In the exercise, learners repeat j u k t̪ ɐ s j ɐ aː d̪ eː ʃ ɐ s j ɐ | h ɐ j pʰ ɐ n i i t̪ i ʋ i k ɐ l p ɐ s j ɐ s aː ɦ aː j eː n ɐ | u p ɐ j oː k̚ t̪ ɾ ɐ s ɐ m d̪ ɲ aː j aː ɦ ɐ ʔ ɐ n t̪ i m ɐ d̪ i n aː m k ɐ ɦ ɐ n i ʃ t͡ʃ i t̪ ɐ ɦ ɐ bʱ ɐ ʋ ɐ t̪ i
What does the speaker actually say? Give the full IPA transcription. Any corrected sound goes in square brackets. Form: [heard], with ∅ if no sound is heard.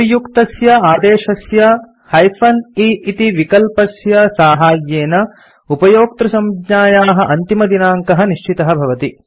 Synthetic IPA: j u k t̪ ɐ s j ɐ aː d̪ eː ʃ ɐ s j ɐ | h ɐ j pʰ ɐ n i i t̪ i ʋ i k ɐ l p ɐ s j ɐ s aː ɦ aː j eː n ɐ | u p ɐ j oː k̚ t̪ ɾ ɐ s ɐ m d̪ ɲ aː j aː ɦ ɐ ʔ ɐ n t̪ i m ɐ d̪ i n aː [ŋ] k ɐ ɦ ɐ n i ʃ t͡ʃ i t̪ ɐ ɦ ɐ bʱ ɐ ʋ ɐ t̪ i